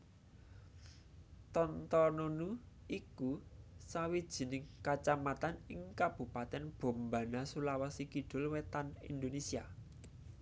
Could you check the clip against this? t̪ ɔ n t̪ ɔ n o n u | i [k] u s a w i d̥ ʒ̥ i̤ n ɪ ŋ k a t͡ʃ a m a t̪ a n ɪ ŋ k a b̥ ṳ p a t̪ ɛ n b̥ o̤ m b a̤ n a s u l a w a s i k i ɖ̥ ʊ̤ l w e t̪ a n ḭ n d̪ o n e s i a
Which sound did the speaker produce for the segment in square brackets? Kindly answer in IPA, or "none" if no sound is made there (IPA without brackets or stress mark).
k